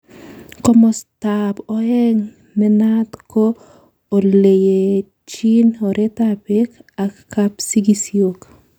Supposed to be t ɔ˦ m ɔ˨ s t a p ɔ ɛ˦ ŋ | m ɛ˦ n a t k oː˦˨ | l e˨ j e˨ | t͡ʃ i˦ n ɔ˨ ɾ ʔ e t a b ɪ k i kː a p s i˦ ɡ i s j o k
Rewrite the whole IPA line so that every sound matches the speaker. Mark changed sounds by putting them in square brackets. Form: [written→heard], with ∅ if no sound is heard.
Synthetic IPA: [t→k] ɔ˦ m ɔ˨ s t a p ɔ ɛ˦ ŋ | m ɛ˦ n a t k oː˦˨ | l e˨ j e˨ | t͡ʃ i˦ n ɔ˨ ɾ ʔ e t a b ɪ k [i→a] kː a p s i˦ ɡ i s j o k